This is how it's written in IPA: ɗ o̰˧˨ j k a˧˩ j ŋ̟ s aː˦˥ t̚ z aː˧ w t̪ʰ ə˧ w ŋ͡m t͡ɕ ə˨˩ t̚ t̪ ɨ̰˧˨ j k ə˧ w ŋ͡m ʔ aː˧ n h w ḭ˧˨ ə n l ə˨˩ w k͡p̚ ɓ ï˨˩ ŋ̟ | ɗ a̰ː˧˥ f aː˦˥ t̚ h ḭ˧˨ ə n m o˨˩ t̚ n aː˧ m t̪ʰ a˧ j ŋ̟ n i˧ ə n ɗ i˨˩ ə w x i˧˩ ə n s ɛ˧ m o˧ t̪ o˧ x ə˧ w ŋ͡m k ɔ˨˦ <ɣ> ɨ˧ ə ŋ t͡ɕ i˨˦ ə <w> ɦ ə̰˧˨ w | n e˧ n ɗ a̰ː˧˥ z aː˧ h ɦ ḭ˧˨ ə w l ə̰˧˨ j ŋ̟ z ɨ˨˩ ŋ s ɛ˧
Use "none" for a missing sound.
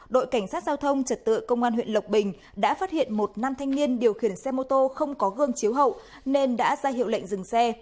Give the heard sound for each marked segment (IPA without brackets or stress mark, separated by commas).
ɣ, w